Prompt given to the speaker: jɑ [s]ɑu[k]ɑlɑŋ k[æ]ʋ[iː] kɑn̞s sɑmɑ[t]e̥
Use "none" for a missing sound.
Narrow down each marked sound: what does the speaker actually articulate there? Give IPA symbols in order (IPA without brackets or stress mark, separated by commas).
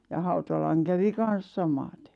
h, t, æ, i, t